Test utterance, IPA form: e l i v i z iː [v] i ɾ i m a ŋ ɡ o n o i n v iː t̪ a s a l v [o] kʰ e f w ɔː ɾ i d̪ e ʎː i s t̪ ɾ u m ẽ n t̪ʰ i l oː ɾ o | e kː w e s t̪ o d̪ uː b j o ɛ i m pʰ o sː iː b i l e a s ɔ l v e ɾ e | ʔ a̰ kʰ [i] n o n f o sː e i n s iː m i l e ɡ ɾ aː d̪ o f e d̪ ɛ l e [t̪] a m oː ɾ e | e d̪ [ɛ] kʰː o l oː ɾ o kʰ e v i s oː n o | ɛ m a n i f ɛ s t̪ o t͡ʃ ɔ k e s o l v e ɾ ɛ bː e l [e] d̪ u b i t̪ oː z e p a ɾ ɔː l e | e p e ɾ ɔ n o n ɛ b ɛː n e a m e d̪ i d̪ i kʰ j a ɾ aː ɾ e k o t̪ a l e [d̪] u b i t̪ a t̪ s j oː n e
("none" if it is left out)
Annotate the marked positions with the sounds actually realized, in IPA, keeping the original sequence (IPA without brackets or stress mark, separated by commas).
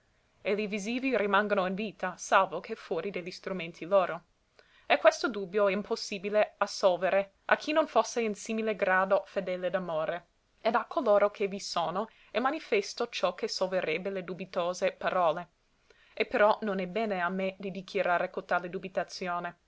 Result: v, o, i, d̪, a, e, d̪